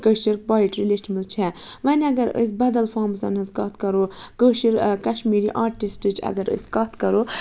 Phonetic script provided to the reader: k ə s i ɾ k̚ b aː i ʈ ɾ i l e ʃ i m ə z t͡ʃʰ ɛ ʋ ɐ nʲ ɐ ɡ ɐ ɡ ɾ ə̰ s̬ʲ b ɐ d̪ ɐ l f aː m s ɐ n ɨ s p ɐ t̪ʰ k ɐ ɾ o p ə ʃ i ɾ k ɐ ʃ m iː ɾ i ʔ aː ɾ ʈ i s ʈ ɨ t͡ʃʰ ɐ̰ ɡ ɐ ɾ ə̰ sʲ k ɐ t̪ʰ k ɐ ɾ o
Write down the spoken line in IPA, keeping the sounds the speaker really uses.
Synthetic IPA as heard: k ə ʃ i ɾ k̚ b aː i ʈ ɾ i l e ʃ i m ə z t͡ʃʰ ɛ ʋ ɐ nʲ ɐ ɡ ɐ ɾ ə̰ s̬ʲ b ɐ d̪ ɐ l f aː m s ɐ n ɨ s k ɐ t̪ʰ k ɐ ɾ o k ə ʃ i ɾ k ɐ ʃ m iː ɾ i ʔ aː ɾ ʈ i s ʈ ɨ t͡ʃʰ ɐ̰ ɡ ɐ ɾ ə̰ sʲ k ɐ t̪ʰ k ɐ ɾ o